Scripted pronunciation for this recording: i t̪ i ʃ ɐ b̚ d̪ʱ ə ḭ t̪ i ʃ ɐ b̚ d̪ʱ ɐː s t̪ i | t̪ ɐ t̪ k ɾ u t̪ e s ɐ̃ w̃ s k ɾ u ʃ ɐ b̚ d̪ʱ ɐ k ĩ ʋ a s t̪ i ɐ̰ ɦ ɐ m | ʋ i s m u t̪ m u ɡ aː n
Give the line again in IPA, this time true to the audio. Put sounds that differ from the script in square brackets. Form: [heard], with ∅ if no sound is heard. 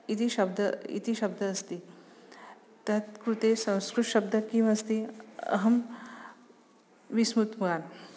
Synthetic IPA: i t̪ i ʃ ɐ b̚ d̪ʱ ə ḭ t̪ i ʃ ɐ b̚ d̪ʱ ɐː s t̪ i | t̪ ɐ t̪ k ɾ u t̪ e s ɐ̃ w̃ s k ɾ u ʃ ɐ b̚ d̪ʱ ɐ k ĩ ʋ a s t̪ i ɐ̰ ɦ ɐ m | ʋ i s m u t̪ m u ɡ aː n

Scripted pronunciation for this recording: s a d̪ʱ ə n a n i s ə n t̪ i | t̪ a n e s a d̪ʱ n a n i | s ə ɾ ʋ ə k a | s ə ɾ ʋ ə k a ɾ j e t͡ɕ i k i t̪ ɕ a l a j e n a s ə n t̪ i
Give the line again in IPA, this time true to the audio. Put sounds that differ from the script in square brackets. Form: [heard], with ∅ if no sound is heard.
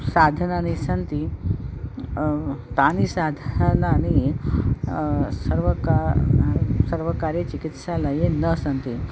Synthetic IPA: s a d̪ʱ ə n a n i s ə n t̪ i | t̪ a n [i] s a d̪ʱ n a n i | s ə ɾ ʋ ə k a | s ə ɾ ʋ ə k a ɾ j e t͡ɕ i k i t̪ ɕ a l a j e n [ə] s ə n t̪ i

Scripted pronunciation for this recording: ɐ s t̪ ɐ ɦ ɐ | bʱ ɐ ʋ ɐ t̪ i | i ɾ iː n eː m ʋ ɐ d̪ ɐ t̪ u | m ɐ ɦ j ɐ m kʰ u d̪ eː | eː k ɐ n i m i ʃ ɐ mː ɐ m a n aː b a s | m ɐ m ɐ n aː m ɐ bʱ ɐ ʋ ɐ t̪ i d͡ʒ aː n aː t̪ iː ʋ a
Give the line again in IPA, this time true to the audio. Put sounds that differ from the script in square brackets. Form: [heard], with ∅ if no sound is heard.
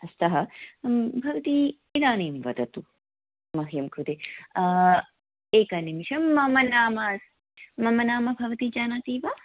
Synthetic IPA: ɐ s t̪ ɐ ɦ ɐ | bʱ ɐ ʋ ɐ t̪ i | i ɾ [aː] n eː m ʋ ɐ d̪ ɐ t̪ u | m ɐ ɦ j ɐ m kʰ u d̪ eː | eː k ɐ n i m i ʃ ɐ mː ɐ m [ɐ] n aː [m] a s | m ɐ m ɐ n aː m ɐ bʱ ɐ ʋ ɐ t̪ i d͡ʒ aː n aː t̪ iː ʋ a

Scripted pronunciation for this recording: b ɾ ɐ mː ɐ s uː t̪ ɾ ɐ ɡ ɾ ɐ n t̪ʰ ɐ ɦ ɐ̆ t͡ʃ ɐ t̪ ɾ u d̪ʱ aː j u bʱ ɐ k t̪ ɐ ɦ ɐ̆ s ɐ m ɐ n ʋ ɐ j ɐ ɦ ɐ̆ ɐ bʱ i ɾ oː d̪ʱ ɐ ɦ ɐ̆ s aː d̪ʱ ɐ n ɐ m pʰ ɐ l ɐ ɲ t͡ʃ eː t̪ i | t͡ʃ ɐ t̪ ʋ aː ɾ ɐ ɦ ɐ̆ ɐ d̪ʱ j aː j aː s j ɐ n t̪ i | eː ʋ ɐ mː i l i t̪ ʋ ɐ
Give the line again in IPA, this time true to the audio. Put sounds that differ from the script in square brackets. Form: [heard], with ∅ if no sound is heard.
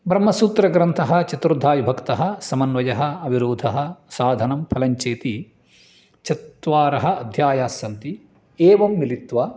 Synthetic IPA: b ɾ ɐ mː ɐ s uː t̪ ɾ ɐ ɡ ɾ ɐ n t̪ʰ ɐ ɦ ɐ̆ t͡ʃ ɐ t̪ ɾ u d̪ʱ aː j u bʱ ɐ k t̪ ɐ ɦ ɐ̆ s ɐ m ɐ n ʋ ɐ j ɐ ɦ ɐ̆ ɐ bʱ i ɾ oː d̪ʱ ɐ ɦ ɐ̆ s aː d̪ʱ ɐ n ɐ m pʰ ɐ l ɐ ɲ t͡ʃ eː t̪ i | t͡ʃ ɐ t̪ ʋ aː ɾ ɐ ɦ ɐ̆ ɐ d̪ʱ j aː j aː s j ɐ n t̪ i | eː ʋ ɐ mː i l i t̪ ʋ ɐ

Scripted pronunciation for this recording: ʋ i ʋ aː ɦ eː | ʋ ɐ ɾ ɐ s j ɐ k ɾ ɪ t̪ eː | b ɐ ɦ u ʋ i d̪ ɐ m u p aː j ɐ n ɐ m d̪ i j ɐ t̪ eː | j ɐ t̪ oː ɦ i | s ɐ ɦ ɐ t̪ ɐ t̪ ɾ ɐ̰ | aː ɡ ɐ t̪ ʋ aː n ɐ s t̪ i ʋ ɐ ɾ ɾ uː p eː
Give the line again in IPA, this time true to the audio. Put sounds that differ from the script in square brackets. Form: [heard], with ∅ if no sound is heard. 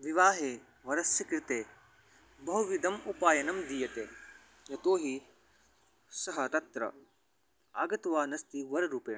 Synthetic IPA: ʋ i ʋ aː ɦ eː | ʋ ɐ ɾ ɐ s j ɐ k ɾ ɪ t̪ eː | b ɐ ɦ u ʋ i d̪ ɐ m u p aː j ɐ n ɐ m d̪ i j ɐ t̪ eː | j ɐ t̪ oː ɦ i | s ɐ ɦ ɐ t̪ ɐ t̪ ɾ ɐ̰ | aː ɡ ɐ t̪ ʋ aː n ɐ s t̪ i ʋ ɐ ɾ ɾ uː p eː

